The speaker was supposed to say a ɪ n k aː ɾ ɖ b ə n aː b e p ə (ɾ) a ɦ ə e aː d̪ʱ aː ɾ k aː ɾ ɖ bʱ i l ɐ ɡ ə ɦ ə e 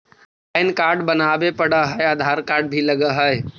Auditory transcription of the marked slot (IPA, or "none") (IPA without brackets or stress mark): ɽ